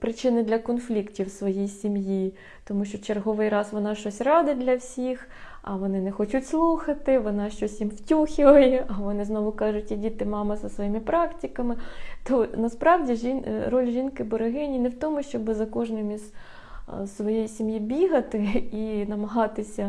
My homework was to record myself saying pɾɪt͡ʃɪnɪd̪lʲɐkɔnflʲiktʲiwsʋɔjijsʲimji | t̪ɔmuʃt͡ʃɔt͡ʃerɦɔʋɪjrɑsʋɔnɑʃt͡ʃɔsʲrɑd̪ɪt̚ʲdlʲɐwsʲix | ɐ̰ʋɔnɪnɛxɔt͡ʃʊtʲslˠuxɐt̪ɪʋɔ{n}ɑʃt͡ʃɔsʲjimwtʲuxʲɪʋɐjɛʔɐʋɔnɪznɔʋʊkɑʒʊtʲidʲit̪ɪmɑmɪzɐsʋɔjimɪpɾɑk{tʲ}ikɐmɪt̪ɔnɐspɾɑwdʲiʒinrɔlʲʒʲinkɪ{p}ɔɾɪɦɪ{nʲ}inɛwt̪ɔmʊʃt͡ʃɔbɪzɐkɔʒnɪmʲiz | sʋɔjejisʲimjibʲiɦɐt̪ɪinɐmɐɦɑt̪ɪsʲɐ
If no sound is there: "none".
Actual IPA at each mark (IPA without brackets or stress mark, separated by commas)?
n, tʲ, b, nʲ